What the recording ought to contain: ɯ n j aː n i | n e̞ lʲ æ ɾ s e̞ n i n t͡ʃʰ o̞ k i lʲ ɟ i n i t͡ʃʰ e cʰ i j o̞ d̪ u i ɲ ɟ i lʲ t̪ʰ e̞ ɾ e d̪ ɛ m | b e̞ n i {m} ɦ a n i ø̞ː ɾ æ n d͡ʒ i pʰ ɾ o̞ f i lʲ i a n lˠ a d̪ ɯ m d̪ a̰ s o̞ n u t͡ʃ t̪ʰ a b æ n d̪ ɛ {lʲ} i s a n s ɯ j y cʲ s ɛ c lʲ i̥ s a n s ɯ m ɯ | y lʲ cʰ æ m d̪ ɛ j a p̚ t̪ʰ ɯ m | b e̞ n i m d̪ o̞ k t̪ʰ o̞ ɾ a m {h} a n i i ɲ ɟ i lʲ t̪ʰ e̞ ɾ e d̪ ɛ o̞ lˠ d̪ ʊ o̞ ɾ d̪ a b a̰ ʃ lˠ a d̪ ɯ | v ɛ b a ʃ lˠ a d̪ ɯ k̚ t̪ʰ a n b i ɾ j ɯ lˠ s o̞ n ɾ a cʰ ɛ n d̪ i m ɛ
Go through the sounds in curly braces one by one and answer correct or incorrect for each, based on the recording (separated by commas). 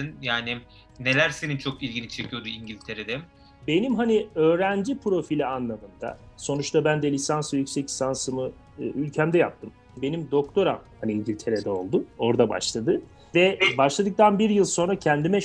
correct, correct, correct